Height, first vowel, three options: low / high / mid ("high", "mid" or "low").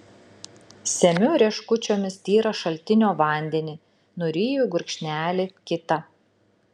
mid